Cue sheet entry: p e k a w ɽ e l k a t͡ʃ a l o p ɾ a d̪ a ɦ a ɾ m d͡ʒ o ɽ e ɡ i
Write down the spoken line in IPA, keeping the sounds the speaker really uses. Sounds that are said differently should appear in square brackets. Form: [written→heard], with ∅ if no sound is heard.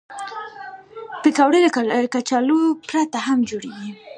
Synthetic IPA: p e k a w ɽ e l k a t͡ʃ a l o p ɾ a [d̪→t̪] a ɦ a [ɾ→∅] m d͡ʒ o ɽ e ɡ i